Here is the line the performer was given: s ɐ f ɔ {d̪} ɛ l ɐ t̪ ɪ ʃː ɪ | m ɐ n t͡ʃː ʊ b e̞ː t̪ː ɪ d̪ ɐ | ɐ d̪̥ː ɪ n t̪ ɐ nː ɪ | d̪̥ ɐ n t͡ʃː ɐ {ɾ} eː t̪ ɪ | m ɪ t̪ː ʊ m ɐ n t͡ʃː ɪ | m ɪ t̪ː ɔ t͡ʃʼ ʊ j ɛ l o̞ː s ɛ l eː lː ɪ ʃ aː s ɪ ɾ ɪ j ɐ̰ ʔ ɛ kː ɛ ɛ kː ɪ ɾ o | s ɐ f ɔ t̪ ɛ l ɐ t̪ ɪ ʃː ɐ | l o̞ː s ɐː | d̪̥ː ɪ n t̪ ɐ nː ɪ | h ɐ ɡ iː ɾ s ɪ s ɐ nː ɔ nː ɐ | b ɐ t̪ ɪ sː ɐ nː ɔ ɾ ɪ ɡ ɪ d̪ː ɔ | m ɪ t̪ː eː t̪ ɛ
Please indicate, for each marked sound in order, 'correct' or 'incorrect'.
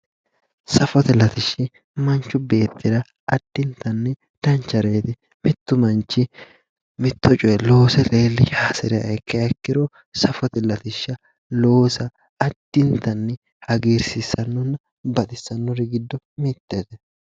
incorrect: t̪, correct

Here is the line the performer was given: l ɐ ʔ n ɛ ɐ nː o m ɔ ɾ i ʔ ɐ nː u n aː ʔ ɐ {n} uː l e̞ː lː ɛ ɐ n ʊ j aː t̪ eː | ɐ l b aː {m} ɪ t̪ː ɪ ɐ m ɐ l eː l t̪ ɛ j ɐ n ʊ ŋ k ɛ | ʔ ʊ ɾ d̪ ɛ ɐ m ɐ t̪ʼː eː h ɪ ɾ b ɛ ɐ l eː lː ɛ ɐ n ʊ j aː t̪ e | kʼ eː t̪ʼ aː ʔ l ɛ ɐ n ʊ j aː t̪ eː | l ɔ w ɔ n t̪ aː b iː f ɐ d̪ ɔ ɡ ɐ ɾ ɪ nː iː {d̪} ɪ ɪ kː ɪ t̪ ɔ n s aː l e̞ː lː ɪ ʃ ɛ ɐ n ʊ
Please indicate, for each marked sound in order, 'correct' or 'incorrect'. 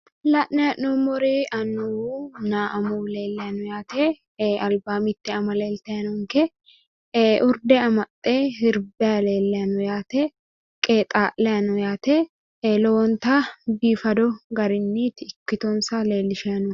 incorrect: m, correct, incorrect: t̪

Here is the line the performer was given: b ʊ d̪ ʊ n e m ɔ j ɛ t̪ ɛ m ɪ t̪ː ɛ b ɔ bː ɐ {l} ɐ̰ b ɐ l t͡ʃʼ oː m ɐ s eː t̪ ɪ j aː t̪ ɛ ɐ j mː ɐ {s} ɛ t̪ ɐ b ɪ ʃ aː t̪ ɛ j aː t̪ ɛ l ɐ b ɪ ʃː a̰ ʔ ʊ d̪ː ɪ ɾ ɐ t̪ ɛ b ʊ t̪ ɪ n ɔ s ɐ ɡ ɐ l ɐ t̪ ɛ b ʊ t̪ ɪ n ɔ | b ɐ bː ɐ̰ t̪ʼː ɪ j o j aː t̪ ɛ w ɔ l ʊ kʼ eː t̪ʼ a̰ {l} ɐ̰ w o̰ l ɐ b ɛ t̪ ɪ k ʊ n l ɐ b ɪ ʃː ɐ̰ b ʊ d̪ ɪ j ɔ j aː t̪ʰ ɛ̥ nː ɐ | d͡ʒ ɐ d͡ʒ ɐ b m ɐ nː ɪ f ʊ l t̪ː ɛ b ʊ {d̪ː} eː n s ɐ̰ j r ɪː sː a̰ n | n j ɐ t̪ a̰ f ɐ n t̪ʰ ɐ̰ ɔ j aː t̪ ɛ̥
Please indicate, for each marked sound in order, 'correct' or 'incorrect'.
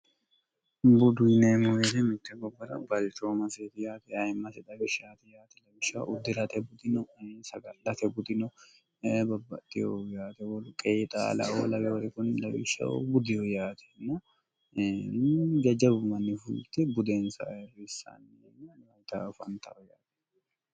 incorrect: ɾ, correct, correct, incorrect: d̪

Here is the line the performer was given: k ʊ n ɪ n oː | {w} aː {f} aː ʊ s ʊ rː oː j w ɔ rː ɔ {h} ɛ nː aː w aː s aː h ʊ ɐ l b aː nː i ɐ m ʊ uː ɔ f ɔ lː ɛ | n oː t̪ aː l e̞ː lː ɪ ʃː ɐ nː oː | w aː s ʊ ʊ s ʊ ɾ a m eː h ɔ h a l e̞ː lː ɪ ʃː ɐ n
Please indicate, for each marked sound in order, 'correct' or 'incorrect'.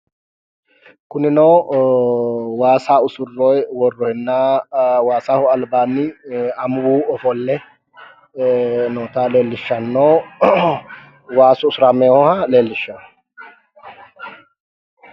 correct, incorrect: s, correct

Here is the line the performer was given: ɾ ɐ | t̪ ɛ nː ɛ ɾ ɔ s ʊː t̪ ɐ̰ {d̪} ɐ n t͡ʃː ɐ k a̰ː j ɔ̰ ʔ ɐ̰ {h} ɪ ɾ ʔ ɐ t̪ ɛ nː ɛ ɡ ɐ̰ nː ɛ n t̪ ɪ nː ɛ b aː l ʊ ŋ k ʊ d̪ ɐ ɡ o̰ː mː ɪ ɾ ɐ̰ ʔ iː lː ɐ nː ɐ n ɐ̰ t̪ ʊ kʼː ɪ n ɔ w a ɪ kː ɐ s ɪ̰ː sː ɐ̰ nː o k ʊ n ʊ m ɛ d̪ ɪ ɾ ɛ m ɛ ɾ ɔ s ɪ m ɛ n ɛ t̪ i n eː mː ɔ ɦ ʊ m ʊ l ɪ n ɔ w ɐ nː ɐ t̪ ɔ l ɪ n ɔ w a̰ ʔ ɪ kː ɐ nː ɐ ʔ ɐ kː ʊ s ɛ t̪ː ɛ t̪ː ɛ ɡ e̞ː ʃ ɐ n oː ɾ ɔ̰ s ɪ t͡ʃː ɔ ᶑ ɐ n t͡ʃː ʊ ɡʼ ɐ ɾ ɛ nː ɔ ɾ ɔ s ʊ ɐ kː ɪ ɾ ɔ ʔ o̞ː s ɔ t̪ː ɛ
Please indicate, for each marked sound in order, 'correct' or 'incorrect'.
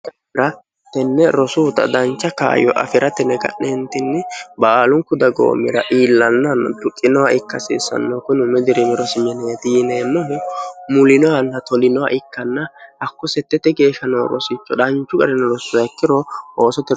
correct, incorrect: f

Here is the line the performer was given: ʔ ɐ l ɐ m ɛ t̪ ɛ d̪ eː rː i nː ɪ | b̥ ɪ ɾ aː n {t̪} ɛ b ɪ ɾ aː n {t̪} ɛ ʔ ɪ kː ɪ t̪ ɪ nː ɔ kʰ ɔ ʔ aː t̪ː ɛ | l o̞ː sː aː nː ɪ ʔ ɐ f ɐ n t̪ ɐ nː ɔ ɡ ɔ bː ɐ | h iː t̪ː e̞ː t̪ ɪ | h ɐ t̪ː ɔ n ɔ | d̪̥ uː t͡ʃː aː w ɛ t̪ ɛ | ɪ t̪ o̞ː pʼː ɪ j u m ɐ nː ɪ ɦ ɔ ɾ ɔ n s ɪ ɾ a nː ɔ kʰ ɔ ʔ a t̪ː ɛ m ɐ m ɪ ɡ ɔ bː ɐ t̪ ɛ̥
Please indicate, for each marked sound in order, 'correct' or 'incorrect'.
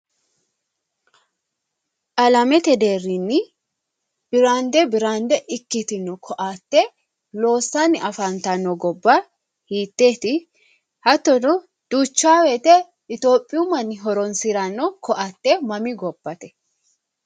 incorrect: d̪, incorrect: d̪

